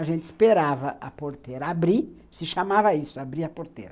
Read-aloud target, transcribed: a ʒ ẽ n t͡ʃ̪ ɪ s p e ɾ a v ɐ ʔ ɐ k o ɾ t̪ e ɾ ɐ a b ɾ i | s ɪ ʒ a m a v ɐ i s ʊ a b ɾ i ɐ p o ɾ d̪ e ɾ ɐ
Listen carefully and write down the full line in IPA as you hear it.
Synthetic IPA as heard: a ʒ ẽ n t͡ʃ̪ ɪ s p e ɾ a v ɐ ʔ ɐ p o ɾ t̪ e ɾ ɐ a b ɾ i | s ɪ ʃ a m a v ɐ i s ʊ a b ɾ i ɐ p o ɾ t̪ e ɾ ɐ